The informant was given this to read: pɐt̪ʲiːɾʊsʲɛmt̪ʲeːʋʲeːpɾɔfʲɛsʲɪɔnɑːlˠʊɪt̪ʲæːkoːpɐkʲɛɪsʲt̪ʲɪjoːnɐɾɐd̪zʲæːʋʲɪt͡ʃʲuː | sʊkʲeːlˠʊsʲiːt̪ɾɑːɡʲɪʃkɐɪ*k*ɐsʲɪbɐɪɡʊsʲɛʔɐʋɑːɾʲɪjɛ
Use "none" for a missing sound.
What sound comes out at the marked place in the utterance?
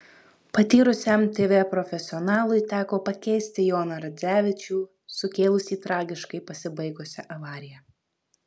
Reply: p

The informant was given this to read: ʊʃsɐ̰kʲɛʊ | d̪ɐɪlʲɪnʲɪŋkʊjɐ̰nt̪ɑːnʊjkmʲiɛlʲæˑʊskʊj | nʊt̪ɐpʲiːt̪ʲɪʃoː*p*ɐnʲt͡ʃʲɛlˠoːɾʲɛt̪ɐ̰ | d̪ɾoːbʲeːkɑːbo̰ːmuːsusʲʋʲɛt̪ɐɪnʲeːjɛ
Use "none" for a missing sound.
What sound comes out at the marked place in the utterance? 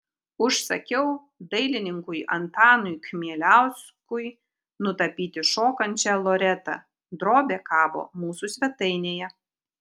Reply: k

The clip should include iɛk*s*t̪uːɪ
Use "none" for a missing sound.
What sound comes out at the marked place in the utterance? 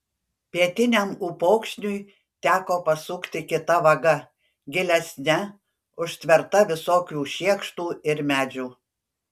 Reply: ʃ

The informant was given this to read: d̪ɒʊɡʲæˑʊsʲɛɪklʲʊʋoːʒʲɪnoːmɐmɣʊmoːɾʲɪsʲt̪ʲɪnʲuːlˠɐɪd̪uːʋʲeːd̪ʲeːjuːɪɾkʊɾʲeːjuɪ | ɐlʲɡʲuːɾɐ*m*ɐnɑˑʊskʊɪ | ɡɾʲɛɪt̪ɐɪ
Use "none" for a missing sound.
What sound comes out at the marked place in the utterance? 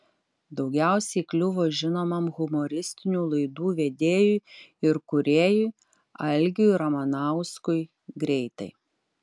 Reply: m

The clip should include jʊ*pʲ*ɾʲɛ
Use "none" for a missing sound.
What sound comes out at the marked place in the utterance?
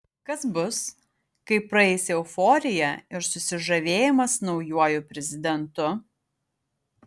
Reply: pʲ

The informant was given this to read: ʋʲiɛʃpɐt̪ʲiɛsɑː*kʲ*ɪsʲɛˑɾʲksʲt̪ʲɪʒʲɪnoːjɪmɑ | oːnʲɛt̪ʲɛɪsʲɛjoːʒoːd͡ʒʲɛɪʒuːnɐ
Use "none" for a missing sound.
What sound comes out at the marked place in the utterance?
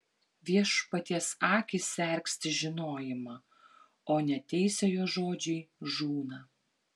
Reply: kʲ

